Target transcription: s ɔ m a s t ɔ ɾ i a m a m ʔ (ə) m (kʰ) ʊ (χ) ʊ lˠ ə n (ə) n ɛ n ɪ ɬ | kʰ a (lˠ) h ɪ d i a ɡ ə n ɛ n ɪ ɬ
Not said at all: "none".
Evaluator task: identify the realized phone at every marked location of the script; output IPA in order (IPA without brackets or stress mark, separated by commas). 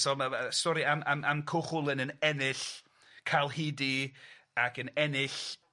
a, kʰ, χ, ə, lˠ